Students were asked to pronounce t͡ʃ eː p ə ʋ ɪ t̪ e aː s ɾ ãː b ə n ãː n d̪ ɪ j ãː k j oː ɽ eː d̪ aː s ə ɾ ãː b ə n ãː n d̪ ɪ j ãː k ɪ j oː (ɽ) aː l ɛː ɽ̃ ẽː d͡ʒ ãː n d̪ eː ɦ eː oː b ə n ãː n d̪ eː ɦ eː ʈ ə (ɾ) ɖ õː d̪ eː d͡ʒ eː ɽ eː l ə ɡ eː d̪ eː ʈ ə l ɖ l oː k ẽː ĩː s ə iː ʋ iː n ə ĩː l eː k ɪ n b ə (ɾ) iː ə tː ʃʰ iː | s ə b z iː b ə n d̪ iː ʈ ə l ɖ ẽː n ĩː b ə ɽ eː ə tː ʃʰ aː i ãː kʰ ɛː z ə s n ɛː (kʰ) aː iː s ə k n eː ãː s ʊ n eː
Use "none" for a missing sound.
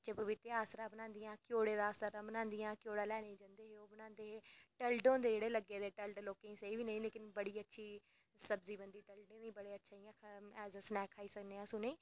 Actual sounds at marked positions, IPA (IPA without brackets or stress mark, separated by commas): ɽ, l, ɽ, kʰ